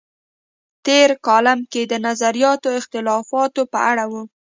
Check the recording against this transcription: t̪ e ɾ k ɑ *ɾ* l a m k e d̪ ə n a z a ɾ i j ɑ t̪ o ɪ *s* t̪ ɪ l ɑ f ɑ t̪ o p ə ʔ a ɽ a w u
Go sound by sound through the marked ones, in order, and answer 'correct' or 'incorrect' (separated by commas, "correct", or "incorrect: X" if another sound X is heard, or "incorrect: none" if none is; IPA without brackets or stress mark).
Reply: incorrect: none, incorrect: x